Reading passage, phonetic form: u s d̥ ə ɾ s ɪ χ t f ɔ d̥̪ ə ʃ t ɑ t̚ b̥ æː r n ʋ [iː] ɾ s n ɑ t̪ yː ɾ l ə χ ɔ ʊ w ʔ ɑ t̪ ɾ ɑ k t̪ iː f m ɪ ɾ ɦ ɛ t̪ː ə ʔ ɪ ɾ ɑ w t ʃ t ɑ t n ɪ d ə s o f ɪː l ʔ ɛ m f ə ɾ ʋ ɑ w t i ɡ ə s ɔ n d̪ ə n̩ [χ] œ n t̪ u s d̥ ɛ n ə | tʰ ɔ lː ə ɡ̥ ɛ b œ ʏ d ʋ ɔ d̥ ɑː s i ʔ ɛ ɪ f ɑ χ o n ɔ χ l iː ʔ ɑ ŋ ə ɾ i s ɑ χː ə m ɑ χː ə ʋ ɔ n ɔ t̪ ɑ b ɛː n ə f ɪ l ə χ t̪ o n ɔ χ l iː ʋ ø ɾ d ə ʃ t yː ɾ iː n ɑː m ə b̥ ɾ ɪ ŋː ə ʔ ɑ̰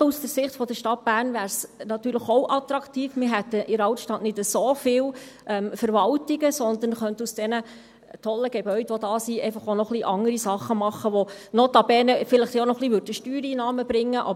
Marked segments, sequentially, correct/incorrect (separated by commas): incorrect, correct